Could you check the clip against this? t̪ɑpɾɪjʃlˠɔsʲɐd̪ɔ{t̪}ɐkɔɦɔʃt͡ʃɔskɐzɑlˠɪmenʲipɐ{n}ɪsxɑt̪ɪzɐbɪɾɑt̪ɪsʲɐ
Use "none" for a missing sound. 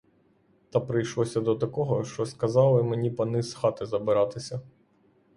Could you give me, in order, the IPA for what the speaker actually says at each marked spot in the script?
t̪, n

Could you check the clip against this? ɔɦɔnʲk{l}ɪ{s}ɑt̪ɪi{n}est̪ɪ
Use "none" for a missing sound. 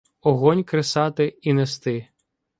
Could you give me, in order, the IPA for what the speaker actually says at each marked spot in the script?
ɾ, s, n

